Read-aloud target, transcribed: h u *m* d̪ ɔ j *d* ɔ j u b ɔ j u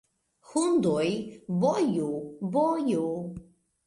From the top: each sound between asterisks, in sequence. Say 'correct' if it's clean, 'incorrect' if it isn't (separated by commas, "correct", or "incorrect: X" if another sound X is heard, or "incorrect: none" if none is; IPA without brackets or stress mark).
incorrect: n, incorrect: b